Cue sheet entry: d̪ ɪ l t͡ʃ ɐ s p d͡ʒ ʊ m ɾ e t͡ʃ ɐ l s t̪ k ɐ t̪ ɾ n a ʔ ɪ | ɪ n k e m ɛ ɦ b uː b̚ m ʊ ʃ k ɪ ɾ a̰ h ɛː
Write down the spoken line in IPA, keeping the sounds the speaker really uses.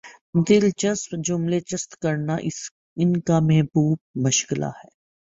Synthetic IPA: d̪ ɪ l t͡ʃ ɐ s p d͡ʒ ʊ m l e t͡ʃ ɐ s t̪ k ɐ ɾ n a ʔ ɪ | ɪ n k a m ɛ ɦ b uː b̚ m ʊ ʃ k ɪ l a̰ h ɛː